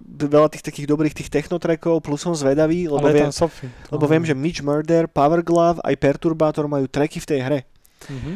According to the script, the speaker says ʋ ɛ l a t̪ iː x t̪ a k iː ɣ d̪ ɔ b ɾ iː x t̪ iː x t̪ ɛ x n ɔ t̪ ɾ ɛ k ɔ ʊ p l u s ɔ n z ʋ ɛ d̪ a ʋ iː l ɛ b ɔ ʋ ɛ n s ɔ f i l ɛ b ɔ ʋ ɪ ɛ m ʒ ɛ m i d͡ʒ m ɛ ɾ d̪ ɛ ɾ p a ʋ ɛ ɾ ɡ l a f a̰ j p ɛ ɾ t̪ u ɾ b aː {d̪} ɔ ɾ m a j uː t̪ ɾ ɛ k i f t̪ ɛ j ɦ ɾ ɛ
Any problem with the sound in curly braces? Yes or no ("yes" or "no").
yes